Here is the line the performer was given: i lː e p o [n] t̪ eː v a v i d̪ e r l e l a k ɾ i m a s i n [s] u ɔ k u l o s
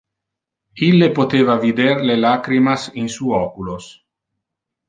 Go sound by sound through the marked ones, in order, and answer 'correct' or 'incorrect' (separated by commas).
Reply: incorrect, correct